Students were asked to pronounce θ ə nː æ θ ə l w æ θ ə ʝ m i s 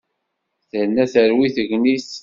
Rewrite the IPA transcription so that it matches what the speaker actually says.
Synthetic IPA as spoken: θ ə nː æ θ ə ɾ w i θ ə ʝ n i s